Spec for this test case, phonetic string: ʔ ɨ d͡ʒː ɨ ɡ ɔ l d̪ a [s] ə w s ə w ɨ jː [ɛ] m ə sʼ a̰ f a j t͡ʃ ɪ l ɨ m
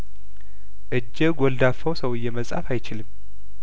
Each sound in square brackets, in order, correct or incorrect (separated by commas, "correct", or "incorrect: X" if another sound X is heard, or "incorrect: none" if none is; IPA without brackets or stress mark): incorrect: f, correct